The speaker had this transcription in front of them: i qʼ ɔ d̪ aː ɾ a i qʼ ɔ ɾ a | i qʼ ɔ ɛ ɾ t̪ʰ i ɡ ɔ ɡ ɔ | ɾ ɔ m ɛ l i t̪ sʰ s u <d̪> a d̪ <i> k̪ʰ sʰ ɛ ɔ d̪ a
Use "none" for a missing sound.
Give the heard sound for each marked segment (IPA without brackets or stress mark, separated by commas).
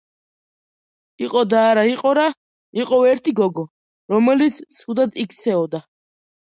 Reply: d̪, i